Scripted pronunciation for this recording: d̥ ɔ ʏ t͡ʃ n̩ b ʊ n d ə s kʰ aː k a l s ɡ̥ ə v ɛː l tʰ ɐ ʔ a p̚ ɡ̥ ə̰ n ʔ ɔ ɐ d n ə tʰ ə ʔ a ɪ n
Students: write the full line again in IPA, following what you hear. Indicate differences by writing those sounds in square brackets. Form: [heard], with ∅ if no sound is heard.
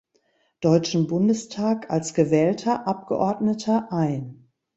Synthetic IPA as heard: d̥ ɔ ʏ t͡ʃ n̩ b ʊ n d ə s [tʰ] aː k a l s ɡ̥ ə v ɛː l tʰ ɐ ʔ a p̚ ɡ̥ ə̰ [∅] ʔ ɔ ɐ d n ə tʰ [ɐ] ʔ a ɪ n